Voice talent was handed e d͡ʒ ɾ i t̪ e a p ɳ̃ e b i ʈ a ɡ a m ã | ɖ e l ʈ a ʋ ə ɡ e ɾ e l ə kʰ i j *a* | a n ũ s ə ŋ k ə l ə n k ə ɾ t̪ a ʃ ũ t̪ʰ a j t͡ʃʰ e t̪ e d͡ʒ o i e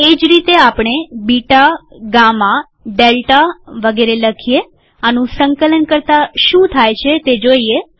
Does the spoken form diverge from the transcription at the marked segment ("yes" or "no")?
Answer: yes